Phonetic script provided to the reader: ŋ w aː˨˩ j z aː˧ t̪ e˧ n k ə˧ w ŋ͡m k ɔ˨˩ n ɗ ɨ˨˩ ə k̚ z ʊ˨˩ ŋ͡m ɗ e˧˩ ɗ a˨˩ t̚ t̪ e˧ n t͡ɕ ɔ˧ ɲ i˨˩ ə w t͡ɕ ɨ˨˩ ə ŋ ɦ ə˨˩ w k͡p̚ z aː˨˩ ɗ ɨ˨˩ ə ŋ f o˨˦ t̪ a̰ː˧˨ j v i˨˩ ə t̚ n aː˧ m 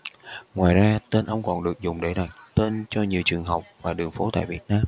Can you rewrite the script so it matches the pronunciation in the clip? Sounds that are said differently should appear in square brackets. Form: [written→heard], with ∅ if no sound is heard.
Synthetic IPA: ŋ w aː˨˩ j z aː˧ t̪ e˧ n [k→ʔ] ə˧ w ŋ͡m k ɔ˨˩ n ɗ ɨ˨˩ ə k̚ z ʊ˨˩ ŋ͡m ɗ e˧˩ ɗ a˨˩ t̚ t̪ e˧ n t͡ɕ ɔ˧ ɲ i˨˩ ə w t͡ɕ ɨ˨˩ ə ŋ ɦ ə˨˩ w k͡p̚ [z→v] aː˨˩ ɗ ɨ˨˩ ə ŋ f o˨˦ t̪ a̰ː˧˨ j v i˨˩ ə t̚ n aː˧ m